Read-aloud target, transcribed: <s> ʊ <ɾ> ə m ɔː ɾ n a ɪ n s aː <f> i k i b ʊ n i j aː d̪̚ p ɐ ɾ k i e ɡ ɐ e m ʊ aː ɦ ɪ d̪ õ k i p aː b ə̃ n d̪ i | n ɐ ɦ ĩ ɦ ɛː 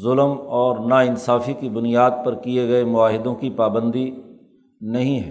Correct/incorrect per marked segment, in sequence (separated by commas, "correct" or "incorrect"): incorrect, incorrect, correct